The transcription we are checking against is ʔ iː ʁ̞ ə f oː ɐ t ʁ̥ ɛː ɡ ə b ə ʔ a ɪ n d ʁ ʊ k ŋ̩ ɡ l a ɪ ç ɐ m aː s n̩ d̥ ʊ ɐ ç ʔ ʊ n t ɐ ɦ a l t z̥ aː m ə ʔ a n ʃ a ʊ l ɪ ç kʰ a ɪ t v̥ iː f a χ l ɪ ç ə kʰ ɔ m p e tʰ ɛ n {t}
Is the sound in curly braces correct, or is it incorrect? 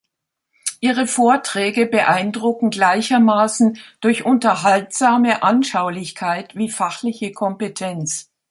incorrect